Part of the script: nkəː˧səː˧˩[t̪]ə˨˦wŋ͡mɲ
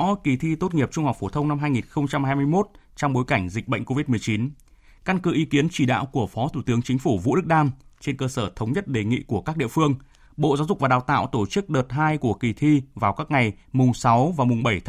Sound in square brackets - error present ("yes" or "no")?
yes